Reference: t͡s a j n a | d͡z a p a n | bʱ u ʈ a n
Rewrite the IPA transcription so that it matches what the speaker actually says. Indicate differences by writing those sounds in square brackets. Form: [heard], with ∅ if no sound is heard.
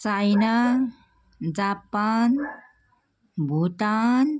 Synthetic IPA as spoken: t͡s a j n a | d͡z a p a n | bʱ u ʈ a n